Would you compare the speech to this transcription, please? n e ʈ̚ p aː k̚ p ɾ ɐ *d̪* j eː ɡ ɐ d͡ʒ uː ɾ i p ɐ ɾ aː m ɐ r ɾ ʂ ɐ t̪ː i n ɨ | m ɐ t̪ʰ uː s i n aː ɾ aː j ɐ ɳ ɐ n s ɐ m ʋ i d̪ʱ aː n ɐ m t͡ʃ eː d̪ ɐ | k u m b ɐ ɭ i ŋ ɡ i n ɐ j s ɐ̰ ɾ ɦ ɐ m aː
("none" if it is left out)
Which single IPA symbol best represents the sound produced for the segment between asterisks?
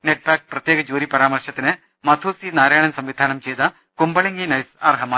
t̪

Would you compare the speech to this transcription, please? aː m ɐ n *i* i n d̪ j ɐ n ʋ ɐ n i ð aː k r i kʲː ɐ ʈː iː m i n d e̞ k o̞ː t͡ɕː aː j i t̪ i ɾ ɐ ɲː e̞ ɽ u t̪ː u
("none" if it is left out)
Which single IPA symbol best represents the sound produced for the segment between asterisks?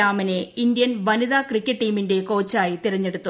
e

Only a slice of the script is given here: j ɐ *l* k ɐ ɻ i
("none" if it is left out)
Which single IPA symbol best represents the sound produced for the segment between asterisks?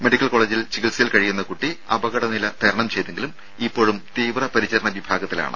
l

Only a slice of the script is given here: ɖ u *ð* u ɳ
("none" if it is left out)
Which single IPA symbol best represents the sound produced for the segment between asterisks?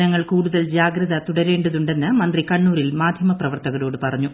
ð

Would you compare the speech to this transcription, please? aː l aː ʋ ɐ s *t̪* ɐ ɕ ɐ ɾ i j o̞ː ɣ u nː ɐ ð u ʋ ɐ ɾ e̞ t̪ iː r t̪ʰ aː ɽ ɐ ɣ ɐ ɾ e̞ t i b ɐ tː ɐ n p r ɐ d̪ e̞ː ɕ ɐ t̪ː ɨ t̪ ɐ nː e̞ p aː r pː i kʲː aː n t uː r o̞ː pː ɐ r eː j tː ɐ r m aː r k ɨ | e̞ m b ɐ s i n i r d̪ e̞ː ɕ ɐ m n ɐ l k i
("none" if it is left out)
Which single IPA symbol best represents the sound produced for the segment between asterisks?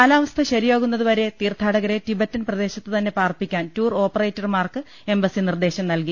t̪ʰ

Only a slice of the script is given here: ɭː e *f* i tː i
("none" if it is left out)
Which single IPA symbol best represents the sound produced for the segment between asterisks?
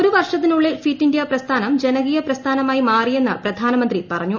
f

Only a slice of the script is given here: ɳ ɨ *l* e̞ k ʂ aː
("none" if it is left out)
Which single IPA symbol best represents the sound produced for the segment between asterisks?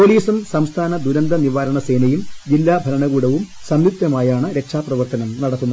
ɾ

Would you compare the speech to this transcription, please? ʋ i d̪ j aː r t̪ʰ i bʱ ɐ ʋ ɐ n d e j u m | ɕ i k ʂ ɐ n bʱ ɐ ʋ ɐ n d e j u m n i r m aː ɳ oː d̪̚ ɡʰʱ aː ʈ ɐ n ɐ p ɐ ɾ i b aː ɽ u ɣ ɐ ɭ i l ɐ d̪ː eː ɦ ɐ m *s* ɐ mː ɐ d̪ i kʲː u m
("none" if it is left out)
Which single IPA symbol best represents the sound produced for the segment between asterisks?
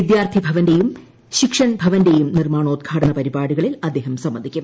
s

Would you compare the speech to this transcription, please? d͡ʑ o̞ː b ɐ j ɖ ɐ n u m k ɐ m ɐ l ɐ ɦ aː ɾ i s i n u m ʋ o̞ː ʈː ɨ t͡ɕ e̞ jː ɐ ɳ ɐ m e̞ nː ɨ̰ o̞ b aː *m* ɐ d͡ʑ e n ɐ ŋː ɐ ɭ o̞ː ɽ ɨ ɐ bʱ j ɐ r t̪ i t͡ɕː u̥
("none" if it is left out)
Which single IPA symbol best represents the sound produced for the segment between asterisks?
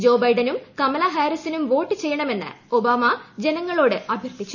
m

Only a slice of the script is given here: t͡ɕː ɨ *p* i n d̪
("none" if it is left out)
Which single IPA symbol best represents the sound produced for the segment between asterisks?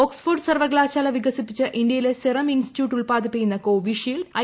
ʔ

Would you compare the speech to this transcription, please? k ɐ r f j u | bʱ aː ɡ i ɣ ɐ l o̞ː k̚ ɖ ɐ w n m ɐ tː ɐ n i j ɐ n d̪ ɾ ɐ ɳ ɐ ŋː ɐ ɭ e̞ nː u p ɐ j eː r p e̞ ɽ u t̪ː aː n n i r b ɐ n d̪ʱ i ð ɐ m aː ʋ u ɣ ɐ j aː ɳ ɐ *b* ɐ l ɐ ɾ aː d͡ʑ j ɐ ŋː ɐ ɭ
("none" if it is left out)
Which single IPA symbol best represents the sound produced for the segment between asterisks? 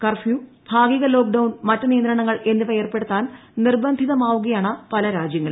p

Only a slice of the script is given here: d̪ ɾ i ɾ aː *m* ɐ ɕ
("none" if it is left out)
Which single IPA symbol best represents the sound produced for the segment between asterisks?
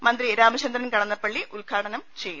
m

